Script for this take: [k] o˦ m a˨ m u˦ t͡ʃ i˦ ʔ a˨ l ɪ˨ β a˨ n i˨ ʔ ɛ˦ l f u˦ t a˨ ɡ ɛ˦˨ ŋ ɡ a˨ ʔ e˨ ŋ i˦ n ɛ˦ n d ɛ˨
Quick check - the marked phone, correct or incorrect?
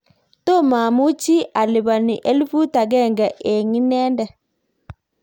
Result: incorrect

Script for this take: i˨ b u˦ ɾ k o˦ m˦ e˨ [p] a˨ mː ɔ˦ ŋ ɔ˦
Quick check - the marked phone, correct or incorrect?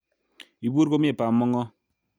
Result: correct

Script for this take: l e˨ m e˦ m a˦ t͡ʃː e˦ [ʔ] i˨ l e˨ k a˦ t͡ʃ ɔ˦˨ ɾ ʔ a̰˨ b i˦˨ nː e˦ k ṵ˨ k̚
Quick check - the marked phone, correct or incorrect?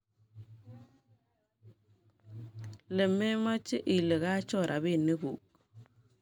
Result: correct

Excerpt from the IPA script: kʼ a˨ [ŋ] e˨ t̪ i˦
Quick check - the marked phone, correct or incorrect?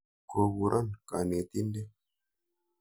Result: incorrect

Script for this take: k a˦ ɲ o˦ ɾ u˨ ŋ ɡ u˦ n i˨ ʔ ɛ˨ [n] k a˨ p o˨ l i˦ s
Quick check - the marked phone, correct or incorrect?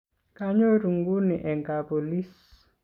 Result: incorrect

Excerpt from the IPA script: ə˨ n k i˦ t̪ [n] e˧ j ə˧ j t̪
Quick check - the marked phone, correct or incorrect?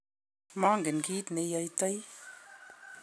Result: correct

